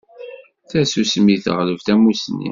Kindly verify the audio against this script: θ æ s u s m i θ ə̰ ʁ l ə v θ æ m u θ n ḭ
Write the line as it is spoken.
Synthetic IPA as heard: θ æ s u s m i θ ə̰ ʁ l ə v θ æ m u s n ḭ